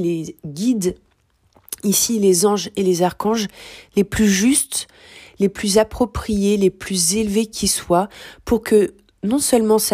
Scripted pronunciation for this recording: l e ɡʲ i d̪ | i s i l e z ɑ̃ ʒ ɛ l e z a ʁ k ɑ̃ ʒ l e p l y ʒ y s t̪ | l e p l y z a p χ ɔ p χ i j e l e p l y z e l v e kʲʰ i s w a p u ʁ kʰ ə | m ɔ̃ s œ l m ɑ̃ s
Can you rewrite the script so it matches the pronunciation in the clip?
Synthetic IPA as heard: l e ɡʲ i d̪ | i s i l e z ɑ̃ ʒ e l e z a ʁ k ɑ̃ ʒ l e p l y ʒ y s t̪ | l e p l y z a p χ ɔ p χ i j e l e p l y z e l v e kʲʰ i s w a p u ʁ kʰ ə | n ɔ̃ s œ l m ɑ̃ s